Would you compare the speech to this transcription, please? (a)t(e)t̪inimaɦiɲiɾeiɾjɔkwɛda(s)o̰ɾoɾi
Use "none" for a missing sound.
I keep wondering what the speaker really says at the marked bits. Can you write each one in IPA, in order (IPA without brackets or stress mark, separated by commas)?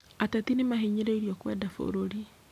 a, a, f